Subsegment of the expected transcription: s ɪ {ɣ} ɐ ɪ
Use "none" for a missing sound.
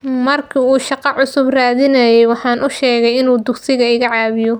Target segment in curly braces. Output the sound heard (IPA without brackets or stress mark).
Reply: ɣ